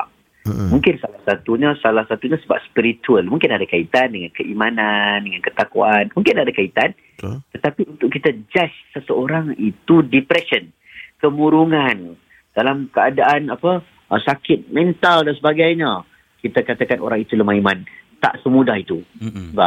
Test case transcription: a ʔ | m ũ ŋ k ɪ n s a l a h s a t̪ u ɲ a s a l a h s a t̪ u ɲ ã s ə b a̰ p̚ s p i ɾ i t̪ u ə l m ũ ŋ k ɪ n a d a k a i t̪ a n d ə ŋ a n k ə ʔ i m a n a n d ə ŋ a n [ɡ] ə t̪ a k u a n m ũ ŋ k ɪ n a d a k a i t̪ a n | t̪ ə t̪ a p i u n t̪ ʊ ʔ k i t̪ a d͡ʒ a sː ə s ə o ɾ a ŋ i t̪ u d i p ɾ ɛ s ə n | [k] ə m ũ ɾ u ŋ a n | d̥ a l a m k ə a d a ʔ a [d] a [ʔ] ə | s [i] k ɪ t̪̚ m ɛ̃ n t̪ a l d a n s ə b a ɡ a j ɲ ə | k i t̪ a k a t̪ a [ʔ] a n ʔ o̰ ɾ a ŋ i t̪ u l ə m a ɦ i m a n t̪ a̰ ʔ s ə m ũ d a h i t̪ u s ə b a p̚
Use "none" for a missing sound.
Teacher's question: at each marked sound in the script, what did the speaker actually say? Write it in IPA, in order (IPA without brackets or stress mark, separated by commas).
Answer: k, k, n, p, a, k